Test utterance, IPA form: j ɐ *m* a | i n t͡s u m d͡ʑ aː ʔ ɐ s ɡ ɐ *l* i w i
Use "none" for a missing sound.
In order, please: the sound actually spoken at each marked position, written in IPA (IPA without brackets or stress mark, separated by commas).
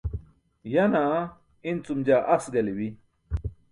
n, l